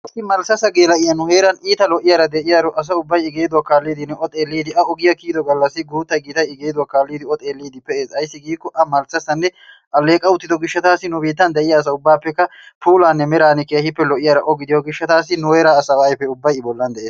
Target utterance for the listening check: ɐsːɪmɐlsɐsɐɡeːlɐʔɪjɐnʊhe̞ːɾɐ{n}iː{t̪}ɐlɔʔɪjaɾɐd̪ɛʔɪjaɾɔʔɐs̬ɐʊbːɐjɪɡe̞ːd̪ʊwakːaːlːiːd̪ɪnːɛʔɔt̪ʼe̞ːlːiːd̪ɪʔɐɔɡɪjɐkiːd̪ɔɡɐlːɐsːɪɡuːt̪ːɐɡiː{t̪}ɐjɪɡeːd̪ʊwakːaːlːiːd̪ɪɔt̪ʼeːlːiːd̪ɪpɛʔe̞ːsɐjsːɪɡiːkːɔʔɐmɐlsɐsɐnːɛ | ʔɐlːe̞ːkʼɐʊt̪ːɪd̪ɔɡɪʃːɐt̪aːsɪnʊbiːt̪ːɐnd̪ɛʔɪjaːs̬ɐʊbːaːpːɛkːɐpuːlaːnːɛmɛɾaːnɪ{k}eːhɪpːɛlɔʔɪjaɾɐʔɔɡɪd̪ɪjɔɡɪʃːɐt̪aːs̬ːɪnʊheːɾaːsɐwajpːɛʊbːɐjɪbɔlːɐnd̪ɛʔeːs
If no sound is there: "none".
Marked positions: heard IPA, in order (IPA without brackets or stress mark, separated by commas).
n, t̪, t̪, k